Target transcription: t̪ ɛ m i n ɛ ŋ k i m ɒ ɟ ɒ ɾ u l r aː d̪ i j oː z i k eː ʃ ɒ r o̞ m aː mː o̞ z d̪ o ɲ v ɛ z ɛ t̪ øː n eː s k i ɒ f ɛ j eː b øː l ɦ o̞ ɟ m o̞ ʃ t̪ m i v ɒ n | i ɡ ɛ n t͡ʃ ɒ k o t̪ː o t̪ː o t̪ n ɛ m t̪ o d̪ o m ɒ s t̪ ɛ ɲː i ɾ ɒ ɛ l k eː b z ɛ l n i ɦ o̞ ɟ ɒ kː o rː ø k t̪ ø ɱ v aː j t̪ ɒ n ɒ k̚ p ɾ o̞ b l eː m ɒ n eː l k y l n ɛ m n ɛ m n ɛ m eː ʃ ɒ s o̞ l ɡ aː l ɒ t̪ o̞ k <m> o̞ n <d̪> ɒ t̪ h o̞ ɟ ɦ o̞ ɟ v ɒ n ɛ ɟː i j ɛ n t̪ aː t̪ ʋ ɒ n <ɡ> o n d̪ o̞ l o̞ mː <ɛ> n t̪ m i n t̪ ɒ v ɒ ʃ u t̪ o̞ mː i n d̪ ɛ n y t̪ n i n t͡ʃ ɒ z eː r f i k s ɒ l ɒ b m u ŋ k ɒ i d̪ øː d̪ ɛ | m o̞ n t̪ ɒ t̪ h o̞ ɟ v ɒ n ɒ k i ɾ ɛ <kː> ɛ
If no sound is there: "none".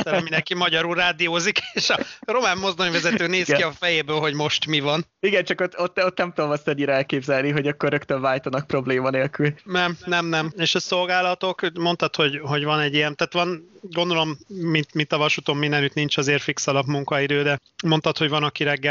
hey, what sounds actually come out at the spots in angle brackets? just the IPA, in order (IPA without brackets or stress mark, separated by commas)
m, t̪, ɡ, i, ɡː